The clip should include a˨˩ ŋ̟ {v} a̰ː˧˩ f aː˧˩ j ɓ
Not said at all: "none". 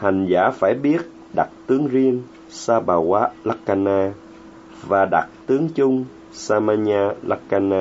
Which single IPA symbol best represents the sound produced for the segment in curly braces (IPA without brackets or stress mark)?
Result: z